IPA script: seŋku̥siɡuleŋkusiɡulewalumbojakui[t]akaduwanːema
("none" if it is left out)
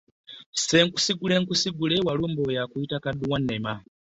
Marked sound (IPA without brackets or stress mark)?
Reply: t